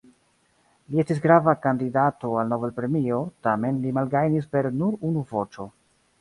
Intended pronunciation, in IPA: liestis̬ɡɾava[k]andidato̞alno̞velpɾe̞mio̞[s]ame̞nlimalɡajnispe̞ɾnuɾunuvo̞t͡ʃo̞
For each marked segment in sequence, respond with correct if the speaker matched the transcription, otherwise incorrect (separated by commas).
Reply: correct, incorrect